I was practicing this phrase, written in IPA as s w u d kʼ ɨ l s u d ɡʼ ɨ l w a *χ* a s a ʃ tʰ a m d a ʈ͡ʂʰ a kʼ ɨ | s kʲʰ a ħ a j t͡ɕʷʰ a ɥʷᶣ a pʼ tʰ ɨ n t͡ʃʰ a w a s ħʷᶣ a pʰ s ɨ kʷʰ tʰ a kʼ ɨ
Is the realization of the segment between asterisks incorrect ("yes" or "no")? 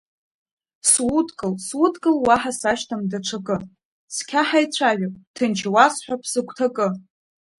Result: yes